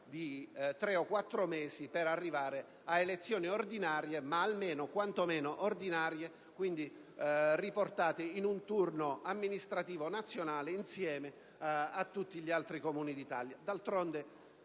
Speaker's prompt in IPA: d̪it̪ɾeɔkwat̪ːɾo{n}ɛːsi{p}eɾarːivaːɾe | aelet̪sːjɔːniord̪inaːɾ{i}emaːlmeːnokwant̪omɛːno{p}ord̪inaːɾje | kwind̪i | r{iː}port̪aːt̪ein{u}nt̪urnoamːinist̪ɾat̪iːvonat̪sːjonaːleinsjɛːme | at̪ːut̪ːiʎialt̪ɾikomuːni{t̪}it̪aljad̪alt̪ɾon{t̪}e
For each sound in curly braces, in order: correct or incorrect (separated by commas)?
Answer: incorrect, correct, incorrect, incorrect, incorrect, correct, incorrect, incorrect